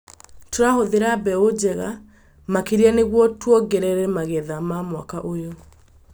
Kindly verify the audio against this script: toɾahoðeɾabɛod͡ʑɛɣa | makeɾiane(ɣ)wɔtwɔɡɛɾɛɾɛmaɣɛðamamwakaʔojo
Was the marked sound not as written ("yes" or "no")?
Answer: no